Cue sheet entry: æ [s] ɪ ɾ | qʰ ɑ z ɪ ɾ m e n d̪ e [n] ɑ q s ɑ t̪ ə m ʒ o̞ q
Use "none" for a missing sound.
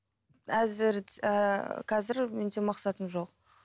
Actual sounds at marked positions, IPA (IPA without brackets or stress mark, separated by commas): z, m